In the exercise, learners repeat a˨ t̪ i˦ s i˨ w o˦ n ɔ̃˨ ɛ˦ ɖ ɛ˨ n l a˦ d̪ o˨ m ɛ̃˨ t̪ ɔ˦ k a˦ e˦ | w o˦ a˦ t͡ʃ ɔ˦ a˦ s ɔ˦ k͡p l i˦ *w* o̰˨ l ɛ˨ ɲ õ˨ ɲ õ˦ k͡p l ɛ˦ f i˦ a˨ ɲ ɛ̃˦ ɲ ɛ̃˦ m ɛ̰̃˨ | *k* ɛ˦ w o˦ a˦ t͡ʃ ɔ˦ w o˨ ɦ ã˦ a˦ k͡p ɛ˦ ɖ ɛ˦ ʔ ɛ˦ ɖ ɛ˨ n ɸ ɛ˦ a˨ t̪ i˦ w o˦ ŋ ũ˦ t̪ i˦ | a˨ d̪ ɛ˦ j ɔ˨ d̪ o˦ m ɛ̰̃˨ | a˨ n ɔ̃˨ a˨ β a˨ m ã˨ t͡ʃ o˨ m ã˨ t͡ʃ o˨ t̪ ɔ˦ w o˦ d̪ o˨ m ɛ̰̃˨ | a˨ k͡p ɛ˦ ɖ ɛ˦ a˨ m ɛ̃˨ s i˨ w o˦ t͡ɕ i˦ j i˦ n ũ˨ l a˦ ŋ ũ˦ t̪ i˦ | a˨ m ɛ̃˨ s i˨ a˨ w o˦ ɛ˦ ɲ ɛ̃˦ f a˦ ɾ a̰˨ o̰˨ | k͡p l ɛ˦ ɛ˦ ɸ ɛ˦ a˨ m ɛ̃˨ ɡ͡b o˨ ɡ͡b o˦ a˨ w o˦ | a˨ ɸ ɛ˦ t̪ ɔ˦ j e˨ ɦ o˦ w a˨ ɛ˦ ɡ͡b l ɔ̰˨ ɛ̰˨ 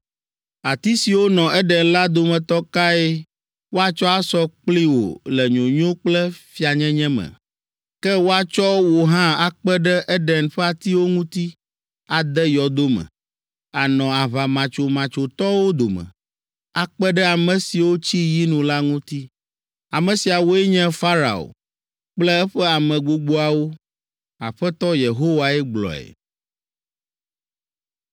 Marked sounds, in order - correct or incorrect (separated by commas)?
correct, correct